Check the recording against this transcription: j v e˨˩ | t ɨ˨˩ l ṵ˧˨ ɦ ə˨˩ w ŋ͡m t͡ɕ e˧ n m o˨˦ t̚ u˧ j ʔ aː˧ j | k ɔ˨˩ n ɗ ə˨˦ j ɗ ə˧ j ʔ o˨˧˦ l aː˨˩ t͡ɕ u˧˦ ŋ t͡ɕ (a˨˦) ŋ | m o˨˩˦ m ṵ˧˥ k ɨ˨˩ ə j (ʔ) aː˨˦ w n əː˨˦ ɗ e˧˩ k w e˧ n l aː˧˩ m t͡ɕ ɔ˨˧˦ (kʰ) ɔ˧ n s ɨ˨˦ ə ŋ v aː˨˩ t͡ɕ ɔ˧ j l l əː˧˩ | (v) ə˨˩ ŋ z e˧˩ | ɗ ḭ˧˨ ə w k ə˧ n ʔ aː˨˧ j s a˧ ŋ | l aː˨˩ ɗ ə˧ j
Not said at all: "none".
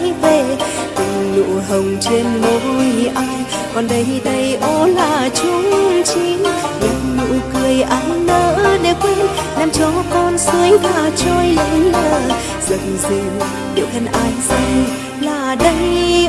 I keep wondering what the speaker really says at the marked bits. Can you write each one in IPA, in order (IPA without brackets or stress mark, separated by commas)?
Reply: i˨˦, ʔ, k, z